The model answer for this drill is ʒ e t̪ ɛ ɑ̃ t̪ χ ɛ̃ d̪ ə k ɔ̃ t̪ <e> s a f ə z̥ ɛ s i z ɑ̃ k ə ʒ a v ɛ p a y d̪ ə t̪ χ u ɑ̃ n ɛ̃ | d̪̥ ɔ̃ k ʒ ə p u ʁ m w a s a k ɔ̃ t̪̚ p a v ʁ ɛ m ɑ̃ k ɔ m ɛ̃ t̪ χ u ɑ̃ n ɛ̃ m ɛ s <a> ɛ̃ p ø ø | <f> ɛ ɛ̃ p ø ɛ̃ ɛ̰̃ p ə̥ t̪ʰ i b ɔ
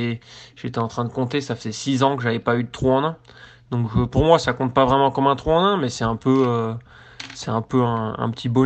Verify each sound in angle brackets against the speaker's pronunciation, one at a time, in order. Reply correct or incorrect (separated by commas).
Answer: correct, incorrect, incorrect